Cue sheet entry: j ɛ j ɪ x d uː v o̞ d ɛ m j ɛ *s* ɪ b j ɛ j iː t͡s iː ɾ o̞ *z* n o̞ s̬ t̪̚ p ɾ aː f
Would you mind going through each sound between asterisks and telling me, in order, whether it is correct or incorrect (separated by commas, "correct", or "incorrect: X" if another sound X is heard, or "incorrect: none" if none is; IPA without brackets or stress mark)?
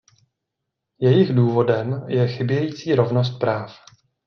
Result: incorrect: x, incorrect: v